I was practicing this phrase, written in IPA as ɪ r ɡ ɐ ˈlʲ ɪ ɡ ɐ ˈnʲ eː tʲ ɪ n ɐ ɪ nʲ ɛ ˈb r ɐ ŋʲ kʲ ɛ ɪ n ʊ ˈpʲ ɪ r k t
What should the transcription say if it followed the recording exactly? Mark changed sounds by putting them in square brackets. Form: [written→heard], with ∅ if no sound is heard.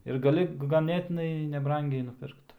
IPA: ɪ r ɡ ɐ ˈlʲ ɪ ɡ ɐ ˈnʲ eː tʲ ɪ n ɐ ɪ nʲ ɛ ˈb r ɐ ŋʲ [kʲ→ɡʲ] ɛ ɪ n ʊ ˈpʲ ɪ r k t